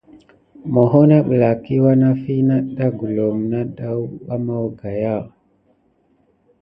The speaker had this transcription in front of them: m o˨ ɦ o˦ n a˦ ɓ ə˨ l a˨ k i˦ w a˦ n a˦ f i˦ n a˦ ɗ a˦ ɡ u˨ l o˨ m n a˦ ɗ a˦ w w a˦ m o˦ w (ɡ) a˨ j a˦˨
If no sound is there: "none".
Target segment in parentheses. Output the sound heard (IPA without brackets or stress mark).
ɡ